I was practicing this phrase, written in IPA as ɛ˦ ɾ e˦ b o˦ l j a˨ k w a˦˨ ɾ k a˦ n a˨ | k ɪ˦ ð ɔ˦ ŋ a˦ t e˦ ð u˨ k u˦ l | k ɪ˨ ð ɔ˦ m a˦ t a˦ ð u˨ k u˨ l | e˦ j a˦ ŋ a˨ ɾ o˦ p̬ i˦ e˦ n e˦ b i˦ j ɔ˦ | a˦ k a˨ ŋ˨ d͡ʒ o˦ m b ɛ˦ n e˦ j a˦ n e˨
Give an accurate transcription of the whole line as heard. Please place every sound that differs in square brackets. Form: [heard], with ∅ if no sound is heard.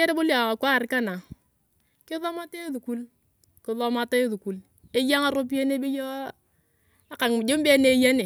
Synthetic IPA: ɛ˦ ɾ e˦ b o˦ l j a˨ k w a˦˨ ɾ k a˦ n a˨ | k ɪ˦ ð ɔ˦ [m] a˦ t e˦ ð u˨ k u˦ l | k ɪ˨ ð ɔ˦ m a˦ t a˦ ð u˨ k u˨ l | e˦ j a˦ ŋ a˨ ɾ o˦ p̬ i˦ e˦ n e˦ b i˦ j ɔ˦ | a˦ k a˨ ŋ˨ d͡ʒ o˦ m b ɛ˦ n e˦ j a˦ n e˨